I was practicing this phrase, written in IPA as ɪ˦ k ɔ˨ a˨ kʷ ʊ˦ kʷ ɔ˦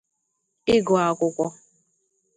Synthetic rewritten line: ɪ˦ ɡ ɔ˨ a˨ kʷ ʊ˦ kʷ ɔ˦